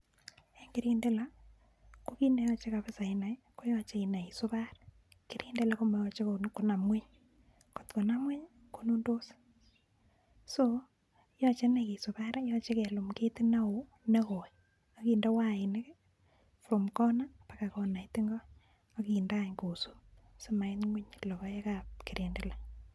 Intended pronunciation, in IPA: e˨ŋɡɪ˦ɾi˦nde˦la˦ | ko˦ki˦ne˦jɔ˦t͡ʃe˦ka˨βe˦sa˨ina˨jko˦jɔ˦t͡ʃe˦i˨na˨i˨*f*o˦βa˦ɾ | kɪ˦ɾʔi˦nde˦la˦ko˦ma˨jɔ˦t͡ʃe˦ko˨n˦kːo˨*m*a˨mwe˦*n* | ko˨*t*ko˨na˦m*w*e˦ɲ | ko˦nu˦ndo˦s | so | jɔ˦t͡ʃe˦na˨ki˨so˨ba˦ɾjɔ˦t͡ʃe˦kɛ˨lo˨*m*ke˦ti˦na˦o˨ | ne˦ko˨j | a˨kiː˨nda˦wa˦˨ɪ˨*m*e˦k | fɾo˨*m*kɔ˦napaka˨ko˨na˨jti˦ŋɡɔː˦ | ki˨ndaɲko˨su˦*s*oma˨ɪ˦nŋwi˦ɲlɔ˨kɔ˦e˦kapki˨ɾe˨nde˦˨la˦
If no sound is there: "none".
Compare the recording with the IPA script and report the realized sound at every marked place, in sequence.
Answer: s, n, ɲ, t, w, m, n, m, s

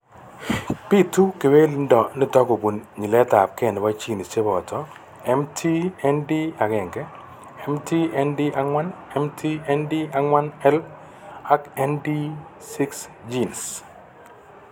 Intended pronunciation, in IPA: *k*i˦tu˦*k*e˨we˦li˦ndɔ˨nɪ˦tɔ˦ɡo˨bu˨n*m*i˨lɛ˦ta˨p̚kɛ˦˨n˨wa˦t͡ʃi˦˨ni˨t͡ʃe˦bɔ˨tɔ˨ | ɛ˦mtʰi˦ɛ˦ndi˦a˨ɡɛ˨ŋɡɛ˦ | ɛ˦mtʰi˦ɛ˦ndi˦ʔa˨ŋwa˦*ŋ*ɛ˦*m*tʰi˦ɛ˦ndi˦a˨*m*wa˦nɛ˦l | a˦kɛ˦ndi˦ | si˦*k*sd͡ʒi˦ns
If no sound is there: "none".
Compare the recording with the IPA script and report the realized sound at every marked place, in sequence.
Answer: p, k, ɲ, n, m, ŋ, k

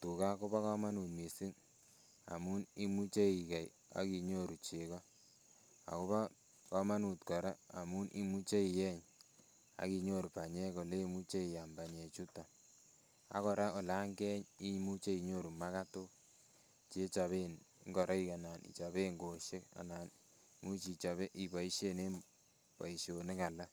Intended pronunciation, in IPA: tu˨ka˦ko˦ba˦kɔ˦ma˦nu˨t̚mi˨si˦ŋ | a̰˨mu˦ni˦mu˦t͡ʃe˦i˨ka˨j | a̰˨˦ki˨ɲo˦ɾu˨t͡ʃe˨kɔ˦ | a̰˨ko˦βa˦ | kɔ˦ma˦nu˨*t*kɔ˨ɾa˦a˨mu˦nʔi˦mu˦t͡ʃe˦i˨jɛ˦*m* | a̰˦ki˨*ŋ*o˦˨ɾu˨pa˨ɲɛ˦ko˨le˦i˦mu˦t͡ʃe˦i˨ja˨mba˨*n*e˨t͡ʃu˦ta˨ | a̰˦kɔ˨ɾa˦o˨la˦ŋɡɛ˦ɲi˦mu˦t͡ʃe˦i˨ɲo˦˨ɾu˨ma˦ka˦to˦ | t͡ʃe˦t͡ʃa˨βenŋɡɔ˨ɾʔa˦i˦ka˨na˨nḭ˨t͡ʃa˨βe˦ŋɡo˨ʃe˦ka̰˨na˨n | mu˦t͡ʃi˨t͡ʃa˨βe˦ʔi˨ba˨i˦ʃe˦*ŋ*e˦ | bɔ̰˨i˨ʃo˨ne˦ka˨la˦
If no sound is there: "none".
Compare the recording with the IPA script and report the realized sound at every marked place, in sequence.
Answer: t, ɲ, ɲ, ɲ, n

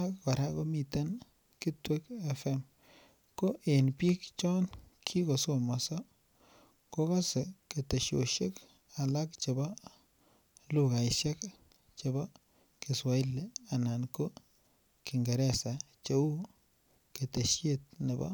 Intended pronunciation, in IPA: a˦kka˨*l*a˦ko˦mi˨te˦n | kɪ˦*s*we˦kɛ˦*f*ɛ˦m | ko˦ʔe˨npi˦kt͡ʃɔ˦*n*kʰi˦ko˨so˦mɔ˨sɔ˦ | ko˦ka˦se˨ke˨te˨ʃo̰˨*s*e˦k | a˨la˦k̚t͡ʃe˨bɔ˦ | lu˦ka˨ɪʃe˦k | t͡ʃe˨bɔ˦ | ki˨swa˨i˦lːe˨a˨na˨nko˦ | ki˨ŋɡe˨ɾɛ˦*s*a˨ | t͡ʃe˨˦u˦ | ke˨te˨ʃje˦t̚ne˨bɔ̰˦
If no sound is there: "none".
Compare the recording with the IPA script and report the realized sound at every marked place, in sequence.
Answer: ɾ, t, f, n, ʃ, s

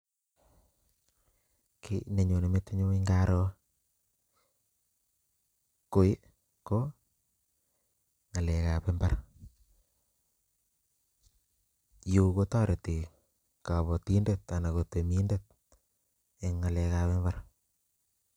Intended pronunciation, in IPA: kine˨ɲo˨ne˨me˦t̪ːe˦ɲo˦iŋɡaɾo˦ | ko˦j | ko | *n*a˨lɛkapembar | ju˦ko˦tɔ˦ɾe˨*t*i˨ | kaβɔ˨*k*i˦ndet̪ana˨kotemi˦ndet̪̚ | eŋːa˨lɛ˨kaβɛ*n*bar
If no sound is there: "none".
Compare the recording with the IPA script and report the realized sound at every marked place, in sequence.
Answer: ŋ, t, t, m

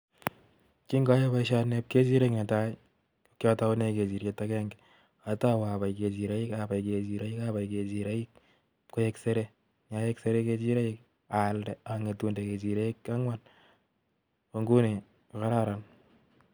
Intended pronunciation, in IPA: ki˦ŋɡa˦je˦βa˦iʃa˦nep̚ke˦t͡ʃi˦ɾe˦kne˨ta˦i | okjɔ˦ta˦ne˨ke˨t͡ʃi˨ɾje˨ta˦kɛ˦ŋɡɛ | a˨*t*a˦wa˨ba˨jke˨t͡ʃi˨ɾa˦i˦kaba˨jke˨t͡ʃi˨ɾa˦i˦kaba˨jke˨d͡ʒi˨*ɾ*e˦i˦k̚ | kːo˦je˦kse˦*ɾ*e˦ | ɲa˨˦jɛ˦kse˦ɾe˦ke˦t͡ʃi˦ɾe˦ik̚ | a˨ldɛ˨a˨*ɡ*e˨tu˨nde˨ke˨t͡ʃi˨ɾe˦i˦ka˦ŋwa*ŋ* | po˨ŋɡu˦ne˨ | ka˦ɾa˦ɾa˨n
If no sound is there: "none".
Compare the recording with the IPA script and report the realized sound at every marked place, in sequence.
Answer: t, ɾ, ɾ, ŋ, n

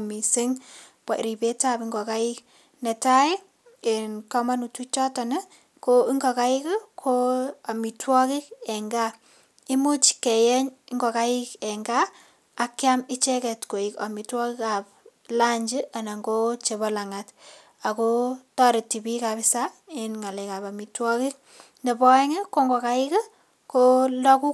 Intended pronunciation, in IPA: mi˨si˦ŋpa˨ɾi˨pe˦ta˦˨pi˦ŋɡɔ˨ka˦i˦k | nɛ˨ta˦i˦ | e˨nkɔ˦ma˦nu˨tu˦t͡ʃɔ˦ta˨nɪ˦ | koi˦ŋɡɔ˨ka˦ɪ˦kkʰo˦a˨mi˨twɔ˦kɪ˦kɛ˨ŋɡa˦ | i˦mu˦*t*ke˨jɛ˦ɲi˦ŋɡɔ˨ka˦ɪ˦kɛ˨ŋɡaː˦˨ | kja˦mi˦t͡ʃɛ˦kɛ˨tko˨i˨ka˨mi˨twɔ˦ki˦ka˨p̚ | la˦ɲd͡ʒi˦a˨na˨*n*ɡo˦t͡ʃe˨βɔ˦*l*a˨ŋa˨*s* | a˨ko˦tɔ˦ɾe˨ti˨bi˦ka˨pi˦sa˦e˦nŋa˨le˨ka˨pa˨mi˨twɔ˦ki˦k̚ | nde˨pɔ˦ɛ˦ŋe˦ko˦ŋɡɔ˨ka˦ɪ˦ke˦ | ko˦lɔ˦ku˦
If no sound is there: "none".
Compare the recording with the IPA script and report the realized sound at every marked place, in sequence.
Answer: t͡ʃ, ŋ, l, t

